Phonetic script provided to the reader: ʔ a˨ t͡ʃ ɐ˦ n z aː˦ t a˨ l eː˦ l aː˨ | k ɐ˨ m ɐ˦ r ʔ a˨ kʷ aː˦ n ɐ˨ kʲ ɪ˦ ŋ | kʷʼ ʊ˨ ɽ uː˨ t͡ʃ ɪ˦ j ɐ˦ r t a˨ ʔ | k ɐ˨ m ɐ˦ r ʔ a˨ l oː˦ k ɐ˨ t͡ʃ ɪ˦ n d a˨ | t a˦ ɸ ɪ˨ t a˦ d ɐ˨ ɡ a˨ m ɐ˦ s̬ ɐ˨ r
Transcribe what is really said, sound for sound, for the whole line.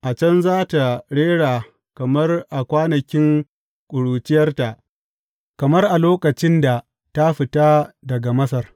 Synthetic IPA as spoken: ʔ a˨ t͡ʃ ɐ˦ n z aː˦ t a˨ ɽ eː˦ ɽ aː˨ | k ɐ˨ m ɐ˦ r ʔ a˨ kʷ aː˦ n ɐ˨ kʲ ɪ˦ ŋ | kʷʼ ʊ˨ ɽ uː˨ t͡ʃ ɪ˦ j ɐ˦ r t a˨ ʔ | k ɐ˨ m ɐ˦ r ʔ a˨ l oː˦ k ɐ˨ t͡ʃ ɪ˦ n d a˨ | t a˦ ɸ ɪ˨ t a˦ d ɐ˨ ɡ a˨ m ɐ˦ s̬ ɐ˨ r

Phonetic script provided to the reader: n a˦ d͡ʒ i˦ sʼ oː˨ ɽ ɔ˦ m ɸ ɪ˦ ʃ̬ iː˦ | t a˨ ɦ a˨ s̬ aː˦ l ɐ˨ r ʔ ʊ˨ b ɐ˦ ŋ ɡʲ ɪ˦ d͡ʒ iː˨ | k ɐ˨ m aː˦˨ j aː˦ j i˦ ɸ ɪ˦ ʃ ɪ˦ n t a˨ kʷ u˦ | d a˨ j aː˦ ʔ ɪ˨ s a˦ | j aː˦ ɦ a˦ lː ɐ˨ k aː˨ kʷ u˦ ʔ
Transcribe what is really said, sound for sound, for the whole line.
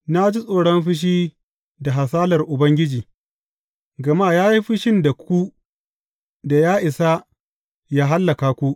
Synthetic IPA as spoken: n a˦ d͡ʒ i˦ sʼ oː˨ ɽ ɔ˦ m ɸ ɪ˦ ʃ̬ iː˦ | d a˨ ɦ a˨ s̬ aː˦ l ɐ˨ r ʔ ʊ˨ b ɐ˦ ŋ ɡʲ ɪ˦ d͡ʒ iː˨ | ɡ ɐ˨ m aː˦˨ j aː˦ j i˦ ɸ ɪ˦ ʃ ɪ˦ n d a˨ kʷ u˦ | d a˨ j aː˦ ʔ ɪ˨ s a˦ | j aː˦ ɦ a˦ lː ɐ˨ k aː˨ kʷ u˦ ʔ

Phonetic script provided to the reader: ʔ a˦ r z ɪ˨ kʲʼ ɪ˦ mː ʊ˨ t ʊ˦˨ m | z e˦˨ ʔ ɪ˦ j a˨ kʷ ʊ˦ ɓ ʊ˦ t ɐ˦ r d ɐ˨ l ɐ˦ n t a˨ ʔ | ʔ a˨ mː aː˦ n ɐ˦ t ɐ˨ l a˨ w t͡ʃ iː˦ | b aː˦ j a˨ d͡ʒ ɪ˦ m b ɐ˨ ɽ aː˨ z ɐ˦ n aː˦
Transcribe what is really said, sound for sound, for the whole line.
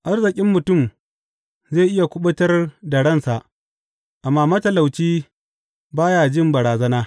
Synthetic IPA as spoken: ʔ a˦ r z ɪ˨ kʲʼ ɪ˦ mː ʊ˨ t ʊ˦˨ m | z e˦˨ ʔ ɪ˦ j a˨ kʷ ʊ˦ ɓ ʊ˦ t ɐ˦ r d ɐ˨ ɽ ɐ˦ n s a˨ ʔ | ʔ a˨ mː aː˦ m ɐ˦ t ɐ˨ l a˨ w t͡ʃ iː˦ | b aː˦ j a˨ d͡ʒ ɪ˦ m b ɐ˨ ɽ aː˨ z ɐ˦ n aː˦

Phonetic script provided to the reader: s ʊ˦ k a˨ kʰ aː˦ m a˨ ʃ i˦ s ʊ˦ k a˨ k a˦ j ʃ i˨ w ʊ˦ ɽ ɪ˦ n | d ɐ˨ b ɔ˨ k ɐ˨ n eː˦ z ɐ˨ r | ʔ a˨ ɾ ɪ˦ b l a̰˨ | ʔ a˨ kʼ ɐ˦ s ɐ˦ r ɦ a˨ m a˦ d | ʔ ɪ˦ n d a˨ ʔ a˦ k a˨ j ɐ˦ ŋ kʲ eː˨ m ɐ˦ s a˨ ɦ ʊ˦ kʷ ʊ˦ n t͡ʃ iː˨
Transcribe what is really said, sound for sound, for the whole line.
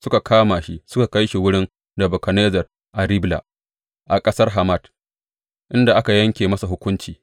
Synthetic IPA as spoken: s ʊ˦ k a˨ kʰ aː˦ m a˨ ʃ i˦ s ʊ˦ k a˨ k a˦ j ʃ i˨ w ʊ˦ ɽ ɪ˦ n | d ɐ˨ b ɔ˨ k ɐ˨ n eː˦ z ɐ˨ r | ʔ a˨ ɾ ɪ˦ b l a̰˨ | ʔ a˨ kʼ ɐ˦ s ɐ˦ r ɦ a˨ m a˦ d | ʔ ɪ˦ n d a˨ ʔ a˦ k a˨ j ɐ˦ ŋ kʲ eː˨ m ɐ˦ s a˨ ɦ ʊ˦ kʷ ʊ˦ n t͡ʃ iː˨

